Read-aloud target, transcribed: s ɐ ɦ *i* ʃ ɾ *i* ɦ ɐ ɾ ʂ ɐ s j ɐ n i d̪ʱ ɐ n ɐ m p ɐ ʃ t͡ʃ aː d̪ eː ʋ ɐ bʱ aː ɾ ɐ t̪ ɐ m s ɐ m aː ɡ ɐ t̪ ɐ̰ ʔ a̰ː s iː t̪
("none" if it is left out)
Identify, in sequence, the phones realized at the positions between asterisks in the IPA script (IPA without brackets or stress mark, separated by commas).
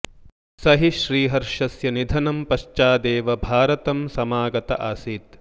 i, iː